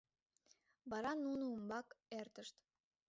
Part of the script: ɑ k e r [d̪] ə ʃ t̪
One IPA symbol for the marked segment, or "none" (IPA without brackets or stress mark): t̪